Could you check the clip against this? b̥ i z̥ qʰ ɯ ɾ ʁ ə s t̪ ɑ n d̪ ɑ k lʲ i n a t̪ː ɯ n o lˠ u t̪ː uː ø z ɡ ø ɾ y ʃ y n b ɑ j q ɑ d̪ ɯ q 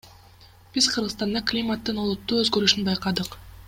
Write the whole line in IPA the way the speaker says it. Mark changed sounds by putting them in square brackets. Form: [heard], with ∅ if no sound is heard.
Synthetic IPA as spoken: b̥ i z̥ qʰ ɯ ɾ ʁ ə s t̪ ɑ n d̪ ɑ k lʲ i [m] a t̪ː ɯ n o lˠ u t̪ː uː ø z ɡ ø ɾ y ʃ y n b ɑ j q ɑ d̪ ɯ q